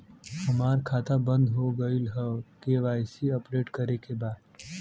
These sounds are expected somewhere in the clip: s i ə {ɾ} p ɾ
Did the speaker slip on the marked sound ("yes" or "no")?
yes